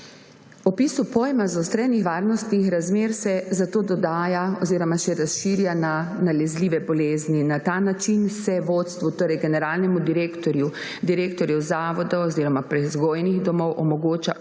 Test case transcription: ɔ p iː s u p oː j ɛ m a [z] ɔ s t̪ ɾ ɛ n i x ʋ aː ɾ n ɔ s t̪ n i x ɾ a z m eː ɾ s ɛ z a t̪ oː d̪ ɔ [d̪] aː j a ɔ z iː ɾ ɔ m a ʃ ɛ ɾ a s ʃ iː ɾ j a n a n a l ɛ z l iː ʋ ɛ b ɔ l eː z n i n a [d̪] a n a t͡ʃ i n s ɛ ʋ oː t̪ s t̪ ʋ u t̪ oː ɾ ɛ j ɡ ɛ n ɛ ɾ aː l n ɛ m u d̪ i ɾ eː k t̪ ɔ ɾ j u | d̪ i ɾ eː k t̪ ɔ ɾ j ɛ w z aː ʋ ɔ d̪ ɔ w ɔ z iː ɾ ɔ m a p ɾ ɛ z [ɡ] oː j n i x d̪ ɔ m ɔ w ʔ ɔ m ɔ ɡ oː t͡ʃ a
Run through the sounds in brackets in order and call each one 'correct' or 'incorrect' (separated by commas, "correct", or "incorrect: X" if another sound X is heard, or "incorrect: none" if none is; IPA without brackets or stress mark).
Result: correct, correct, incorrect: t̪, correct